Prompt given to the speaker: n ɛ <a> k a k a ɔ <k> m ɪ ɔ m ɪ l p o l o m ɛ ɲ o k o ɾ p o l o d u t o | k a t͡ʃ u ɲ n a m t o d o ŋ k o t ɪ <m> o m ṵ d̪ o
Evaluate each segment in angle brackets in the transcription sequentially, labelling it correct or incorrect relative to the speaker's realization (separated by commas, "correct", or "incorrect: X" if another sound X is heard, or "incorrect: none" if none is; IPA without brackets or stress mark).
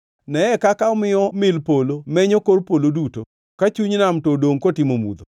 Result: incorrect: ɛ, incorrect: none, correct